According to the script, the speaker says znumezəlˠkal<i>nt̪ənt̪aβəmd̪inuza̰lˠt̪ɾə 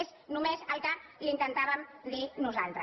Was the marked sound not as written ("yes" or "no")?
no